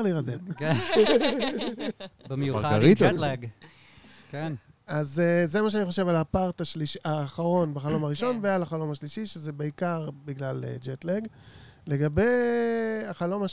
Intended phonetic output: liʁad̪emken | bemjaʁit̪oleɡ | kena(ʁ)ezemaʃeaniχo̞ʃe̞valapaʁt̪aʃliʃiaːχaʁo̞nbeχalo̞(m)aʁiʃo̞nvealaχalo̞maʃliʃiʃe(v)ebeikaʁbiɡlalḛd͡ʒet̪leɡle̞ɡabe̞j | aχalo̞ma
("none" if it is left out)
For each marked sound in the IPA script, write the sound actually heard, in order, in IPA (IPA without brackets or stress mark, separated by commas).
z, m, z